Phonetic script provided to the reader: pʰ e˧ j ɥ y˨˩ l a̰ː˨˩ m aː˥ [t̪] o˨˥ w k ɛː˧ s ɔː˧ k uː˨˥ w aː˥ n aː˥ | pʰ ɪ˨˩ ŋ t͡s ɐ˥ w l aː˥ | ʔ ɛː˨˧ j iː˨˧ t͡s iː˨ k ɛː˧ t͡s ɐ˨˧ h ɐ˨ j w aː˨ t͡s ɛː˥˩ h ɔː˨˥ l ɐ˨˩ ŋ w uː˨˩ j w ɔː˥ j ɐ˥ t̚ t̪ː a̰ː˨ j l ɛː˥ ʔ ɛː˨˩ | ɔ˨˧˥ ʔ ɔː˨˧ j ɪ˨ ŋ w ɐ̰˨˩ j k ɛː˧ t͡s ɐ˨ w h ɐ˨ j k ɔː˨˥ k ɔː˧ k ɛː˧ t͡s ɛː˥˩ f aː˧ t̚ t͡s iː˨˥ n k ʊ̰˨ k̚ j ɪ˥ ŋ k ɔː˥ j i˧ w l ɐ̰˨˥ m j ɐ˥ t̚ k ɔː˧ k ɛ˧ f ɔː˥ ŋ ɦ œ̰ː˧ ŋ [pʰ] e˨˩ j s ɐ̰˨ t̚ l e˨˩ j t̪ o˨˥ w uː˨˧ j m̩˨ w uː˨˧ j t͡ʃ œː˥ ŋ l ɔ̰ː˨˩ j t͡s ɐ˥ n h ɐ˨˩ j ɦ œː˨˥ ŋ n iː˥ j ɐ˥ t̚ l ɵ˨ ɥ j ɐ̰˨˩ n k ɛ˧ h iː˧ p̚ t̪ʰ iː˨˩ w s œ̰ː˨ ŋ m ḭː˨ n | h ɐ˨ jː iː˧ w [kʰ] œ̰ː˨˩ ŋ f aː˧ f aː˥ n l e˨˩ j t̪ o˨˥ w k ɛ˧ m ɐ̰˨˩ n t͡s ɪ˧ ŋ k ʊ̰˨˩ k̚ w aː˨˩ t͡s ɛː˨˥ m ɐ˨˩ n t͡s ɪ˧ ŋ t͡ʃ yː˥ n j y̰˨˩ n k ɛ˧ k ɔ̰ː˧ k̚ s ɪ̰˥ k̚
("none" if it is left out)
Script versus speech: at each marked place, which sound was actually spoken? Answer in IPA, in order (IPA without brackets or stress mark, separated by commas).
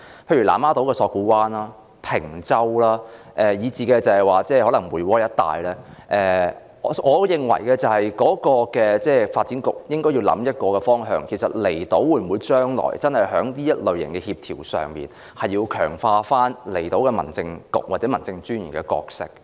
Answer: t̪, kʰ, kʰ